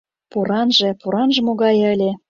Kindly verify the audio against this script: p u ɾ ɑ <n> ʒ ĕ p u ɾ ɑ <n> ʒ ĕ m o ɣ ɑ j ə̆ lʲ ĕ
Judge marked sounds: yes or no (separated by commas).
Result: yes, yes